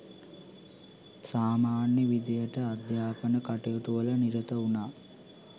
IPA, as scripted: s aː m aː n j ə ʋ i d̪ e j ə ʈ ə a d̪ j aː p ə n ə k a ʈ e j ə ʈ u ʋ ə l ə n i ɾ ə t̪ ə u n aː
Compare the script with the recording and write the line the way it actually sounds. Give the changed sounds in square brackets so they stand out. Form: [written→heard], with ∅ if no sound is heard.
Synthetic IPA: s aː m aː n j ə ʋ i d̪ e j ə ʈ ə a d̪ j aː p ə n ə k a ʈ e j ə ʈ u ʋ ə l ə n i ɾ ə t̪ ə u n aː